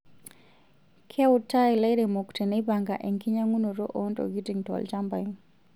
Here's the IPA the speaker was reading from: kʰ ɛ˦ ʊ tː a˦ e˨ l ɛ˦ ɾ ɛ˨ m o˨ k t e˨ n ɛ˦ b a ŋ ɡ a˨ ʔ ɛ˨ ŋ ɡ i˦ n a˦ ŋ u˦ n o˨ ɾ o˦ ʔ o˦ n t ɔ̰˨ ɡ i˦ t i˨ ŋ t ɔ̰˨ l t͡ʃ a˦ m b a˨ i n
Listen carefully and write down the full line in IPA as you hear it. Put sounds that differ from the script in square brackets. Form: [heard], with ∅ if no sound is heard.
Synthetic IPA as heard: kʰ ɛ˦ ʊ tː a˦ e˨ l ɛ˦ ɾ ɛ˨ m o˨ k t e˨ n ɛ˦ b a ŋ ɡ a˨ ʔ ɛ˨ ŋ [k] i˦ [ɲ] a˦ ŋ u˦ n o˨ ɾ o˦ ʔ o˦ n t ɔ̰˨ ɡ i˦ t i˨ ŋ t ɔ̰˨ l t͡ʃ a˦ m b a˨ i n